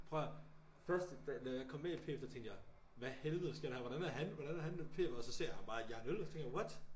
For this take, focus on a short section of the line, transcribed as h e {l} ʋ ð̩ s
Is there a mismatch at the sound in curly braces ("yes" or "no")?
no